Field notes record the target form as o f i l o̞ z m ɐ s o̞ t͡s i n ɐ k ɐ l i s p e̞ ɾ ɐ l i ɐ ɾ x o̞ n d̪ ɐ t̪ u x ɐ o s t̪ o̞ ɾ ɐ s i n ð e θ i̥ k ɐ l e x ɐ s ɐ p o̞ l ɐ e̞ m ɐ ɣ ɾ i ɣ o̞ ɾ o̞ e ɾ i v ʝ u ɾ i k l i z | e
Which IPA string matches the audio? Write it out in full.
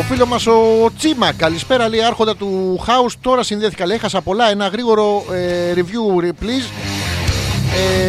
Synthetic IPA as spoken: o f i l o̞ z m ɐ s o̞ t͡s i m ɐ k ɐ l i s p e̞ ɾ ɐ l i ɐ ɾ x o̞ n d̪ ɐ t̪ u x ɐ u s t̪ o̞ ɾ ɐ s i n ð e θ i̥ k ɐ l e x ɐ s ɐ p o̞ l ɐ e̞ n ɐ ɣ ɾ i ɣ o̞ ɾ o̞ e ɾ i v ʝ u ɾ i p l i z | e